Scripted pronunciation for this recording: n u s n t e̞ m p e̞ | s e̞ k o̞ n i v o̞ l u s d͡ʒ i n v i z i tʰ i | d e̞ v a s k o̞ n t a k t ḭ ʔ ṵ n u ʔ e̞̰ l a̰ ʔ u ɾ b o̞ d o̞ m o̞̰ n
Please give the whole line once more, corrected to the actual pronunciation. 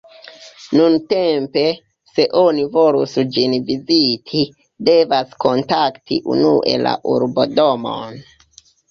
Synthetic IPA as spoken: n u n t e̞ m p e̞ | s e̞ ʔ o̞ n i v o̞ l u s d͡ʒ i n v i z i tʰ i | d e̞ v a s k o̞ n t a k t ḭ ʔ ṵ n u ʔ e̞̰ l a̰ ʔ u ɾ b o̞ d o̞ m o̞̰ n